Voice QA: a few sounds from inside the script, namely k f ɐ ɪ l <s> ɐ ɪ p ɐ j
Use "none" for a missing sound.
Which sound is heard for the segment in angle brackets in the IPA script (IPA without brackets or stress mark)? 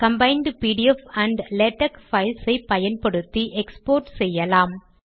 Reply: s